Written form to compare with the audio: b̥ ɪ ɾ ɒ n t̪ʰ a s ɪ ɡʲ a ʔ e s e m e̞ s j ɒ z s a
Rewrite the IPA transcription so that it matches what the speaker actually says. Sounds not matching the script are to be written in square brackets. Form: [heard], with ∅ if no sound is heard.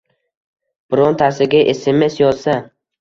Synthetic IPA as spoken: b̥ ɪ ɾ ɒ n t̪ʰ a s ɪ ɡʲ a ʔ e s e m e̞ s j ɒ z s a